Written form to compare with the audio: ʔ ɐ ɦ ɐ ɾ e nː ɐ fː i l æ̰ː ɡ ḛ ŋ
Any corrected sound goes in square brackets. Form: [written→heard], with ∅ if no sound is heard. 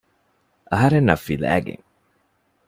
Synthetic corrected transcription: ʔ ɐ ɦ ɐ ɾ e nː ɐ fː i l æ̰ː ɡ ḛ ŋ

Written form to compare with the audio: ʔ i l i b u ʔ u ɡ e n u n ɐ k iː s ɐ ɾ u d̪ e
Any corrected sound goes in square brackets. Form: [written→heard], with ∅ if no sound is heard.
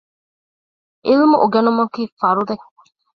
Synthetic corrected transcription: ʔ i l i [b→m] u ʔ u ɡ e n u [n→m] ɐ k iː [s→f] ɐ ɾ u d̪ e

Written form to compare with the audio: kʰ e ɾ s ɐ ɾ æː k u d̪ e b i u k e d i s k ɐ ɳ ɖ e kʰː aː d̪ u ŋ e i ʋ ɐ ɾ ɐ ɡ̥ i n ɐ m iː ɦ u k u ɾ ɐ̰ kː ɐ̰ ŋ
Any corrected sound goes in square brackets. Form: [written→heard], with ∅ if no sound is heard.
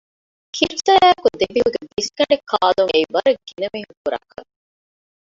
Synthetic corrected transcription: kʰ [e→i] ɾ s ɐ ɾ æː k u d̪ e b i u [k→ɡ] e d i s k ɐ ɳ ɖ e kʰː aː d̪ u ŋ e i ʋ ɐ ɾ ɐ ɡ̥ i n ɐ m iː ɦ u k u ɾ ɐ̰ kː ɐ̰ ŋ

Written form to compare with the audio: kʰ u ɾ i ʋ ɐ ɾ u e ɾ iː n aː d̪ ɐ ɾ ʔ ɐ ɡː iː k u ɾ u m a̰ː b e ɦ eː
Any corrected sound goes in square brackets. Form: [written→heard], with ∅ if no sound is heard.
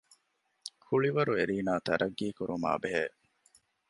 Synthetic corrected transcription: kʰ u [ɾ→ɭ] i ʋ ɐ ɾ u e ɾ iː n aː [d̪→t̪] ɐ ɾ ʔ ɐ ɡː iː k u ɾ u m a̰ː b e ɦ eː

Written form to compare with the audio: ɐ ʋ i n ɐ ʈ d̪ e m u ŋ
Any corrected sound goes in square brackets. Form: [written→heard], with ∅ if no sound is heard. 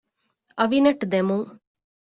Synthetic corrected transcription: ɐ ʋ i n ɐ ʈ d̪ e m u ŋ

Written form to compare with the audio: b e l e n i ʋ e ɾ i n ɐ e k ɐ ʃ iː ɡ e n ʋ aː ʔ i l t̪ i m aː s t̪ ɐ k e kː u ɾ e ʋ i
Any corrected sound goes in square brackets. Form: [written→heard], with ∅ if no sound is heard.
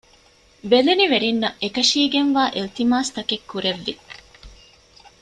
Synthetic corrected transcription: b e l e n i ʋ e ɾ i [n→nː] ɐ e k ɐ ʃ iː ɡ e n ʋ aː ʔ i l t̪ i m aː s t̪ ɐ k e kː u ɾ e [ʋ→ʋː] i

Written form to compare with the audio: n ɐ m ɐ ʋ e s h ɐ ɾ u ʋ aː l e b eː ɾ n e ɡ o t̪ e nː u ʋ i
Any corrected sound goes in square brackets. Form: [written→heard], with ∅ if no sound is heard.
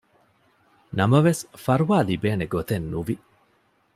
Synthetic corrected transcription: n ɐ m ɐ ʋ e s [h→f] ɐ ɾ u ʋ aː l [e→i] b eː [ɾ→∅] n e ɡ o t̪ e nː u ʋ i

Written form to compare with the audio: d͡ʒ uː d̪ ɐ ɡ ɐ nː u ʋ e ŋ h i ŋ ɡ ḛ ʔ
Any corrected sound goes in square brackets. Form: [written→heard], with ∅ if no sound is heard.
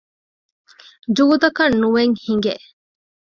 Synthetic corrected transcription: d͡ʒ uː d̪ ɐ [ɡ→k] ɐ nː u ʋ e ŋ h i ŋ ɡ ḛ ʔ

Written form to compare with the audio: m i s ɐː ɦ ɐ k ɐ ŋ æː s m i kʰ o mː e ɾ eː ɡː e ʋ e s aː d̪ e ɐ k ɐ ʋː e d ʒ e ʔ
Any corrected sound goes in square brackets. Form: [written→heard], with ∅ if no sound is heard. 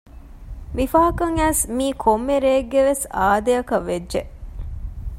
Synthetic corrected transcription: m i [s→f] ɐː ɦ ɐ k ɐ ŋ æː s m [i→iː] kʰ o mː e ɾ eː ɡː e ʋ e s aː d̪ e ɐ k ɐ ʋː e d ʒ e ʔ

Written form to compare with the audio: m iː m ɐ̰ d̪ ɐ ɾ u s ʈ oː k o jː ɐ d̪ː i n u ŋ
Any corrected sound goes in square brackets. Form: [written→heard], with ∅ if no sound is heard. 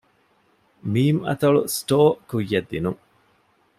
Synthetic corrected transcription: m iː m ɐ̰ [d̪→t̪] ɐ [ɾ→ɭ] u s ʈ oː k [o→u] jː ɐ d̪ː i n u ŋ

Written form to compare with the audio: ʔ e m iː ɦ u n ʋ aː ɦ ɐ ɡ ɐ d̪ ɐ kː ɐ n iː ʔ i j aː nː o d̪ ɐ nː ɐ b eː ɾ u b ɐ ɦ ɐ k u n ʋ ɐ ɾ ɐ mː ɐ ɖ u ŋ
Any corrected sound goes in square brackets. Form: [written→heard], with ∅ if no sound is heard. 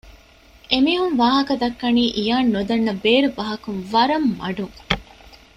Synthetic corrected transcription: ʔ e m iː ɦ u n ʋ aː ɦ ɐ [ɡ→k] ɐ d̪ ɐ kː ɐ n iː ʔ i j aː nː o d̪ ɐ nː ɐ b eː ɾ u b ɐ ɦ ɐ k u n ʋ ɐ ɾ ɐ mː ɐ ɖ u ŋ

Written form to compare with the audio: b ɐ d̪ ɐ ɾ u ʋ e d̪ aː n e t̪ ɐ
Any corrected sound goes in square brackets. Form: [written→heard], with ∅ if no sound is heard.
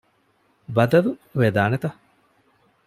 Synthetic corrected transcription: b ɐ d̪ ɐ [ɾ→l] u ʋ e d̪ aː n e t̪ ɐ

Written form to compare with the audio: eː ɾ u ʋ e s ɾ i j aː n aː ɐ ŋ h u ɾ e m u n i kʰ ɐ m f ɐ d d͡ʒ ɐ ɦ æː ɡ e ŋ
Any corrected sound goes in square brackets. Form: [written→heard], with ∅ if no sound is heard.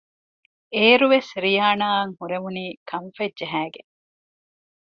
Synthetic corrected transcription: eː ɾ u ʋ e s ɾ i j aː n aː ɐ ŋ h u ɾ e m u n [i→iː] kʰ ɐ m f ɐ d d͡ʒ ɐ ɦ æː ɡ e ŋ

